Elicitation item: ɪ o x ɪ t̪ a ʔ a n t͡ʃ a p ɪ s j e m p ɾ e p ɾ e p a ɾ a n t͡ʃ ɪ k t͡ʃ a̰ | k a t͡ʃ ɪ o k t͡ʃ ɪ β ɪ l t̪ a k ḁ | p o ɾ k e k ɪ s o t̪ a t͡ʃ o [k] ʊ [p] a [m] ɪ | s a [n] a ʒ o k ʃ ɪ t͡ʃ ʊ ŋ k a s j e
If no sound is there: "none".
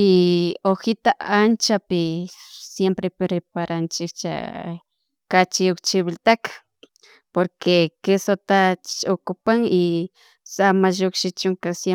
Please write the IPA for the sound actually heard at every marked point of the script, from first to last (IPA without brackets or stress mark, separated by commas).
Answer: k, p, ŋ, m